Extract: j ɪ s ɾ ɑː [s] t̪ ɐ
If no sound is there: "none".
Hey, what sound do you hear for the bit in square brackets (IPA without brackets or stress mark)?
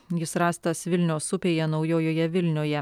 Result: s